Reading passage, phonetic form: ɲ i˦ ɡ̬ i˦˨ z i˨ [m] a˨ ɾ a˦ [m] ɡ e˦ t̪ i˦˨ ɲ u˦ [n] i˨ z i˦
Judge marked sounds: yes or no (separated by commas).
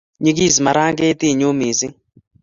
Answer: yes, no, no